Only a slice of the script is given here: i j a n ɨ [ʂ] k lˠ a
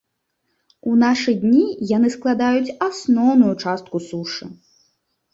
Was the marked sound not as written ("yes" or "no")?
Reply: yes